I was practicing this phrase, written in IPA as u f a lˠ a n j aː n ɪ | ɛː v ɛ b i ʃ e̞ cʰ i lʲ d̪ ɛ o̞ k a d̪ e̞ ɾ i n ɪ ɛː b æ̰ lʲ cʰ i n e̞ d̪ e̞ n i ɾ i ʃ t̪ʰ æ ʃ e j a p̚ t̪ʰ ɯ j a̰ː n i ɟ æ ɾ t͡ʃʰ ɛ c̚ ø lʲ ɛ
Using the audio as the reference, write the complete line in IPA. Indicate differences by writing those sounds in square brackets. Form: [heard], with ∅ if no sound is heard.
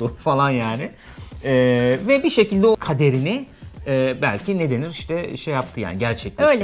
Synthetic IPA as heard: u f a lˠ a n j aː n ɪ | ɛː v ɛ b i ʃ e̞ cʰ i lʲ d̪ ɛ o̞ [kʰ] a d̪ e̞ ɾ i n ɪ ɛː b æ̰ lʲ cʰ i n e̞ d̪ e̞ n i ɾ i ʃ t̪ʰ [ɛ] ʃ e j a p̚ t̪ʰ ɯ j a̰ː n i ɟ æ ɾ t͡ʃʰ ɛ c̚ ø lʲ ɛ